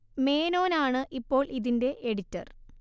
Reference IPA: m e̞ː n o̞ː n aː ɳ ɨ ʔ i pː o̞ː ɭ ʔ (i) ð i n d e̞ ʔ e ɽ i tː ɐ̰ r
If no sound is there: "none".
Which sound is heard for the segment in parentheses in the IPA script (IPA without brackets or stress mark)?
i